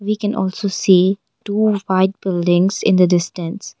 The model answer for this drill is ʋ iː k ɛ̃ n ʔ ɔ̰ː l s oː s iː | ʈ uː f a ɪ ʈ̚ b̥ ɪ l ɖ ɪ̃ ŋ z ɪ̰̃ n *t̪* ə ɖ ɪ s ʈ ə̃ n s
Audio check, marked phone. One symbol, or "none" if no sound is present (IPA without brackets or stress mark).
d̪